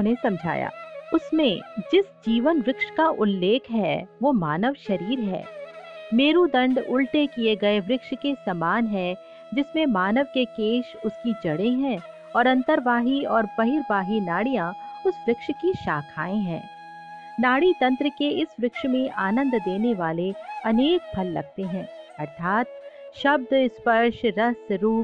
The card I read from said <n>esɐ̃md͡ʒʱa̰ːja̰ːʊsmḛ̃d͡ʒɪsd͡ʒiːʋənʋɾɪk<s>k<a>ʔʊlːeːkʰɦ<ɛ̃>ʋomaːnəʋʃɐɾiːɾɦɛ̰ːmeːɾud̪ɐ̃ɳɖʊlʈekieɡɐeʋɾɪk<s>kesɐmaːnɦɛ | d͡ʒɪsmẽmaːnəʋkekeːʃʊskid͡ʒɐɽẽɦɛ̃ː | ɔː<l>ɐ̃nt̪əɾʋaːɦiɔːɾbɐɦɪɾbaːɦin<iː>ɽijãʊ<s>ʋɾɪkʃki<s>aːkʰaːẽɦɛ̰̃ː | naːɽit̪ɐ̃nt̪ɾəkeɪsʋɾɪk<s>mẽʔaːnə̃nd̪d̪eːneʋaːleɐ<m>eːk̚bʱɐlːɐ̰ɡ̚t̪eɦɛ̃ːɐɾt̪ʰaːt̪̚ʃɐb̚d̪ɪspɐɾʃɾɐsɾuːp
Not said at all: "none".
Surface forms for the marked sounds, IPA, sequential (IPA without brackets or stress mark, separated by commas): n, ʃ, a, ɛ, ʃ, ɾ, aː, s, ʃ, ʃ, n